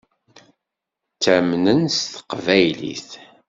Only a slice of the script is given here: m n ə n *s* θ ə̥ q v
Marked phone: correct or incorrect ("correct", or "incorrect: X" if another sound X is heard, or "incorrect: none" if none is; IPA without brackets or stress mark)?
correct